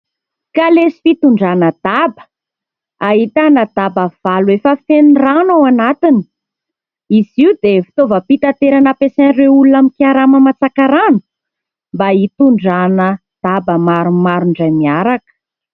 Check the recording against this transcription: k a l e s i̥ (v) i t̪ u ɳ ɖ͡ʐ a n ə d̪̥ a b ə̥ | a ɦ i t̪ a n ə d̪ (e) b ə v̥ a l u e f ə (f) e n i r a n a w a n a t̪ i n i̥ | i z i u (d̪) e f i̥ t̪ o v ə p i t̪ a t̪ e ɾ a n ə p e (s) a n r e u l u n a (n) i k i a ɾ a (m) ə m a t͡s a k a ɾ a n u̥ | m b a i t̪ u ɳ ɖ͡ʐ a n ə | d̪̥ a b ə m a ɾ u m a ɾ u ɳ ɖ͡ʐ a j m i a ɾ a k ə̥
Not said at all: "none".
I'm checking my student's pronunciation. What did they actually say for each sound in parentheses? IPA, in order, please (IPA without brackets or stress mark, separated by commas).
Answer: f, a, f, d̪, s, m, m